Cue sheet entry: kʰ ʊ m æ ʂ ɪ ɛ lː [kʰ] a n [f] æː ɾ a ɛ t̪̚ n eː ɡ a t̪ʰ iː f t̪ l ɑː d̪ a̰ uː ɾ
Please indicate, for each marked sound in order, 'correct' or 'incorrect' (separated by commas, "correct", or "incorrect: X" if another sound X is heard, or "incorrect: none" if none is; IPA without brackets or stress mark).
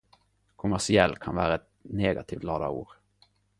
correct, incorrect: v